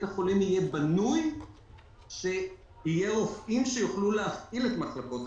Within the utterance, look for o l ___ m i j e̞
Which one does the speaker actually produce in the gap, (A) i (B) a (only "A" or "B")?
A